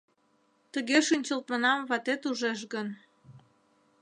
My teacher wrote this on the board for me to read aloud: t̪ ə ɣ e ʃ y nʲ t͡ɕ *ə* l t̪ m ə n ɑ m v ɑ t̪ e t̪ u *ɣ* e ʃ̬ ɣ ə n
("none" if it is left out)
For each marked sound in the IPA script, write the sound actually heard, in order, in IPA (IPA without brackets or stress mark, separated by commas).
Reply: ə, ʒ